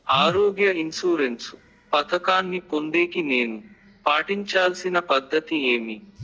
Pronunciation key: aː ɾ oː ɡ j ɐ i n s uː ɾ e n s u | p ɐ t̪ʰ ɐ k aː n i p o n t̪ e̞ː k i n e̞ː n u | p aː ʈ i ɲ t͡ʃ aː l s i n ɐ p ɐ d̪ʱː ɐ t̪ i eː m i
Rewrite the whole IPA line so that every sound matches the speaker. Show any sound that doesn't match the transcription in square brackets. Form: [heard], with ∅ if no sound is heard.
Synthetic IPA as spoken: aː ɾ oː ɡ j ɐ i n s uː ɾ e n s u | p ɐ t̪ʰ ɐ k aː [nː] i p o n [d̪] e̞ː k i n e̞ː n u | p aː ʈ i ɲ t͡ʃ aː l s i n ɐ p ɐ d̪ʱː ɐ t̪ i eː m i